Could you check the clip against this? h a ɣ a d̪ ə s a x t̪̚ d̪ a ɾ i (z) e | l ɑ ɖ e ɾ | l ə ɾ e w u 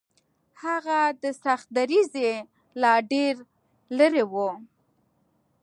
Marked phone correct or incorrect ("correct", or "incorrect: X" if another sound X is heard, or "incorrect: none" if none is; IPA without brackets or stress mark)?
correct